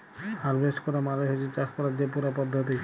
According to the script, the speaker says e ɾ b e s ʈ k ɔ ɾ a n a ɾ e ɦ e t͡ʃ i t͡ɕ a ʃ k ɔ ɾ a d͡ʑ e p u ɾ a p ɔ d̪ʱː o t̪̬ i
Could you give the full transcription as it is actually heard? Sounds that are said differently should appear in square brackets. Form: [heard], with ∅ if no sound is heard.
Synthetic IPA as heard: [a] ɾ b e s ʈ k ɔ ɾ a [m] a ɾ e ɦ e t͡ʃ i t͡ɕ a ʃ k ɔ ɾ a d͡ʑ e p u ɾ a p ɔ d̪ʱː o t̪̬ i